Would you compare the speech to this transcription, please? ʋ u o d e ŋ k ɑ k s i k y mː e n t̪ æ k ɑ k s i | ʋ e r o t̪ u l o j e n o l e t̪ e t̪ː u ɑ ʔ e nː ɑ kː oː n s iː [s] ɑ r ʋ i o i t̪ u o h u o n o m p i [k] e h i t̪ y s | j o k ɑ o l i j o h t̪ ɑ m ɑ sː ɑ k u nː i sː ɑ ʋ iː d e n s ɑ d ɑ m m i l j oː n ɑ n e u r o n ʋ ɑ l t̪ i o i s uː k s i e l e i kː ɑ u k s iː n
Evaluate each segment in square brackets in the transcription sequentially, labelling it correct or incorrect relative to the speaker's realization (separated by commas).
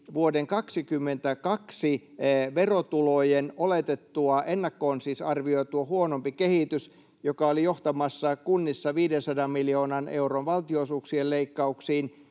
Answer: correct, correct